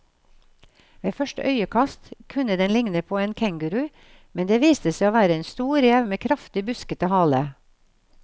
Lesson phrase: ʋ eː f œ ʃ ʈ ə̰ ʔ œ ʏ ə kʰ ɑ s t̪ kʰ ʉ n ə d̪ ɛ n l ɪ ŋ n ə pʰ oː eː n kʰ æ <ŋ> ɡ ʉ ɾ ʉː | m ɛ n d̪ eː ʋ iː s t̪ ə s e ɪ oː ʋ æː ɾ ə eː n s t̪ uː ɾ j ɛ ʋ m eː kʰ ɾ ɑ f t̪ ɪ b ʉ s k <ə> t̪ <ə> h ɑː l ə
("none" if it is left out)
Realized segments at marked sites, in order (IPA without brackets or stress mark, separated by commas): ŋ, ə, ə